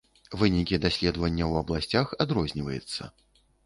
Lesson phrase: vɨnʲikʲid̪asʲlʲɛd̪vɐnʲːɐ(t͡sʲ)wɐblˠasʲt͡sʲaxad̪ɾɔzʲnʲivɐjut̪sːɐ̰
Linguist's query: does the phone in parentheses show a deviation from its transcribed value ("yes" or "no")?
yes